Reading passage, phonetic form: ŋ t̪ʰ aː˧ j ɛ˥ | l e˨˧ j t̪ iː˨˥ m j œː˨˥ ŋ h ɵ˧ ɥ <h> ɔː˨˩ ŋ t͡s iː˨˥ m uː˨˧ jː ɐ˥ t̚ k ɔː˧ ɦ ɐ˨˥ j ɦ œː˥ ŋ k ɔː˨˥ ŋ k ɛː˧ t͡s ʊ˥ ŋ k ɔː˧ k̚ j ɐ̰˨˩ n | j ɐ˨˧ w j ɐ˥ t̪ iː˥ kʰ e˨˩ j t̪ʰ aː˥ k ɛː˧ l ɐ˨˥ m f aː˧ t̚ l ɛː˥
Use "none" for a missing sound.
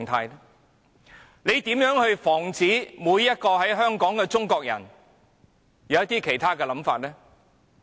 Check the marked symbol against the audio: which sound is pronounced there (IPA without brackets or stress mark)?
f